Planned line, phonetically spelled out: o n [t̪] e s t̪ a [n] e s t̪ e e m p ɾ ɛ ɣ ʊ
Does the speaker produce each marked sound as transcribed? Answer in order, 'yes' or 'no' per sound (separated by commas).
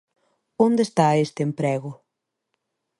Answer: no, no